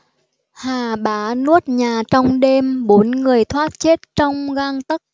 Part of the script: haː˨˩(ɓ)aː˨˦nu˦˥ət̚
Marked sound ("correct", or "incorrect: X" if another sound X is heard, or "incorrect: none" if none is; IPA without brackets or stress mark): correct